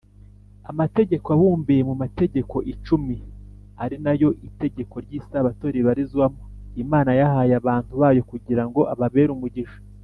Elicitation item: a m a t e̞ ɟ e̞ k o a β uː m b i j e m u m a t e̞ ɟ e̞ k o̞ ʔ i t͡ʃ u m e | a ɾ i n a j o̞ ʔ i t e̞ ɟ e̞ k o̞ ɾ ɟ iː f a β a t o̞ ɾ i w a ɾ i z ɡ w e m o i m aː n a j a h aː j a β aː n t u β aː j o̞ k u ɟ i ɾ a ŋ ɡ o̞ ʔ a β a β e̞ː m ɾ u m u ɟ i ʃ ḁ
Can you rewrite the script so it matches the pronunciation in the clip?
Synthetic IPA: a m a t e̞ ɟ e̞ k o a β uː m b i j e m u m a t e̞ ɟ e̞ k o̞ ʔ i t͡ʃ u m i | a ɾ i n a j o̞ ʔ i t e̞ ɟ e̞ k o̞ ɾ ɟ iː s a β a t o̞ ɾ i β a ɾ i z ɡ w a m o i m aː n a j a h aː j a β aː n t u β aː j o̞ k u ɟ i ɾ a ŋ ɡ o̞ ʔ a β a β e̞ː ɾ u m u ɟ i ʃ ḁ